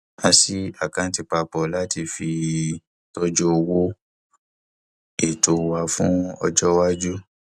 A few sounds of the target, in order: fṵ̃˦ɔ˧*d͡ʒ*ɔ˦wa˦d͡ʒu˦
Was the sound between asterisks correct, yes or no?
yes